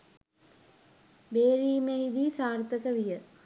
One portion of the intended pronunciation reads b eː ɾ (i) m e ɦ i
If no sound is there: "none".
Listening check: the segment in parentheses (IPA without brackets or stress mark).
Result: iː